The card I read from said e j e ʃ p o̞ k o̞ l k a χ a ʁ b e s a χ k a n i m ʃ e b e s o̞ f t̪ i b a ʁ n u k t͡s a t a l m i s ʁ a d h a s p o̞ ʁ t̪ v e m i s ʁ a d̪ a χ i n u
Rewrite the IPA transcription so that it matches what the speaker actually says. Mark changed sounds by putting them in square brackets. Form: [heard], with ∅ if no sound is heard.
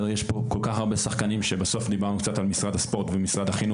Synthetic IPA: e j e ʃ p o̞ k o̞ l k a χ a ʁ b e s a χ k a n i m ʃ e b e s o̞ f [d̪] i b a ʁ n u k t͡s a t a l m i s ʁ a d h a s p o̞ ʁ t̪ v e m i s ʁ a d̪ a χ i n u